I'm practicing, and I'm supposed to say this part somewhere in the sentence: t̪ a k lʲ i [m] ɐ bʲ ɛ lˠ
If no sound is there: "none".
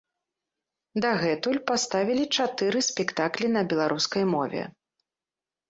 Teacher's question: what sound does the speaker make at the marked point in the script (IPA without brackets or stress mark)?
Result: n